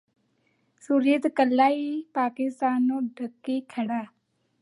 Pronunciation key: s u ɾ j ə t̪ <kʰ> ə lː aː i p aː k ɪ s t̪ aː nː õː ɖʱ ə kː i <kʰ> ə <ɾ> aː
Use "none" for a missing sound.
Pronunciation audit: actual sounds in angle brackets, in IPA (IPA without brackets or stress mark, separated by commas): k, kʰ, ɽ